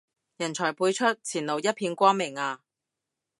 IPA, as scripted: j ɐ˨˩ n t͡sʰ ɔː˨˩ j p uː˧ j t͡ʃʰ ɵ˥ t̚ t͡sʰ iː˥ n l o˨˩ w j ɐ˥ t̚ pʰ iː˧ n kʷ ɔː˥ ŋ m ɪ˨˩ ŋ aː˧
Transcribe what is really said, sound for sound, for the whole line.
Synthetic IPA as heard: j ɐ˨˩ n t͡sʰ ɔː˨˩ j p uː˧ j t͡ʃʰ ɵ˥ t̚ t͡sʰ iː˨˩ n l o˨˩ w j ɐ˥ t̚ pʰ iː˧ n kʷ ɔː˥ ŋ m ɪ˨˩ ŋ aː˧